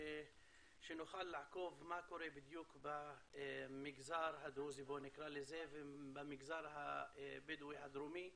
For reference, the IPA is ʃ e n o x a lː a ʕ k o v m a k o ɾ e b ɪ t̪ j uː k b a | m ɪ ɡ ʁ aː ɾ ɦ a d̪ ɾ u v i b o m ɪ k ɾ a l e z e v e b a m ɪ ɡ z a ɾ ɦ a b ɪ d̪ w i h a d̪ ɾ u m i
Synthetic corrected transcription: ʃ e n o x a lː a ʕ k o v m a k o ɾ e b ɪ d̪ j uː k b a | m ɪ ɡ z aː ɾ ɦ a d̪ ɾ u z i b o n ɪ k ɾ a l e z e v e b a m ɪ ɡ z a ɾ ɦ a b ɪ d̪ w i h a d̪ ɾ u m i